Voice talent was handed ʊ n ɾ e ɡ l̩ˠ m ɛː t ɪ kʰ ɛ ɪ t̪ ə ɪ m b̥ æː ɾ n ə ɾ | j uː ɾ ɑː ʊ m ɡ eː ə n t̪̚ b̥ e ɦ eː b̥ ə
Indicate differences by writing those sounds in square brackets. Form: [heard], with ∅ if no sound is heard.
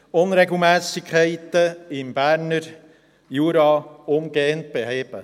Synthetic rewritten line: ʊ n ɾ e ɡ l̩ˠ m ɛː [s] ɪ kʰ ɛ ɪ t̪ ə ɪ m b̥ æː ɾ n ə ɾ | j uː ɾ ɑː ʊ m ɡ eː ə n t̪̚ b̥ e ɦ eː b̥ ə